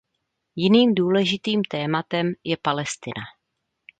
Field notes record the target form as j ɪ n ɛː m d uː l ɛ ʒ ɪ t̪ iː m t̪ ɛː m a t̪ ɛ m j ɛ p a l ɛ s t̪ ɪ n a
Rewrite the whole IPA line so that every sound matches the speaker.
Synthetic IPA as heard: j ɪ n iː m d uː l ɛ ʒ ɪ t̪ iː m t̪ ɛː m a t̪ ɛ m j ɛ p a l ɛ s t̪ ɪ n a